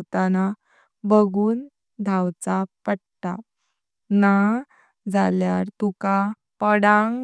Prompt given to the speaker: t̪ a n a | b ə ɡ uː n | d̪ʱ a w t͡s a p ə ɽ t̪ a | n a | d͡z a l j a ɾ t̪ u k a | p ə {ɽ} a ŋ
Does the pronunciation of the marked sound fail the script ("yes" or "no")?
no